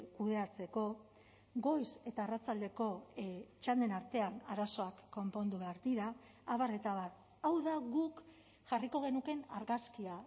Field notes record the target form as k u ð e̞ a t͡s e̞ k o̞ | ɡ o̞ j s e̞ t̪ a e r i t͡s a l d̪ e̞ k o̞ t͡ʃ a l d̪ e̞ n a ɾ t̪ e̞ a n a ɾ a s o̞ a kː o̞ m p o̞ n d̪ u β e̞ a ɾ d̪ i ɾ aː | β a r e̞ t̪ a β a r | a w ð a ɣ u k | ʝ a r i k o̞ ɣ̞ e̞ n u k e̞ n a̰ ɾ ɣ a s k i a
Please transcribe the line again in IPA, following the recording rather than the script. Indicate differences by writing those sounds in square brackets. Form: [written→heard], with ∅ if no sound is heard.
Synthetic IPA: k u ð e̞ a t͡s e̞ k o̞ | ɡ o̞ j s e̞ t̪ a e r [i→a] t͡s a l d̪ e̞ k o̞ t͡ʃ a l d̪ e̞ n a ɾ t̪ e̞ a n a ɾ a s o̞ a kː o̞ m p o̞ n d̪ u β e̞ a ɾ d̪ i ɾ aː | β a r e̞ t̪ a β a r | a w ð a ɣ u k | ʝ a r i k o̞ ɣ̞ e̞ n u k e̞ n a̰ ɾ ɣ a s k i a